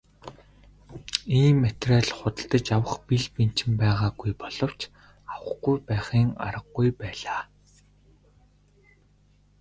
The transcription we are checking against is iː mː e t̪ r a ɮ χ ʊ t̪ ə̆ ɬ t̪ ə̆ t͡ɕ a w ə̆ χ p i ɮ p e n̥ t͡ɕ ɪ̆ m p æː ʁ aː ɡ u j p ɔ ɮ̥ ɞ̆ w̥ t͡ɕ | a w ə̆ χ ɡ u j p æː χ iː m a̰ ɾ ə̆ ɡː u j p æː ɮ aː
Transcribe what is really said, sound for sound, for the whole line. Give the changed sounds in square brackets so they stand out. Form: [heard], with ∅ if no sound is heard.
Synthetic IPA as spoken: iː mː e t̪ r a ɮ χ ʊ t̪ ə̆ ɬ t̪ ə̆ t͡ɕ a w ə̆ χ p i ɮ p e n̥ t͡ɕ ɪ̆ m p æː ʁ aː ɡ u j p ɔ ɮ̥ ɞ̆ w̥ t͡ɕ | a w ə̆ χ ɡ u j p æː χ iː [ŋ] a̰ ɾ ə̆ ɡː u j p æː ɮ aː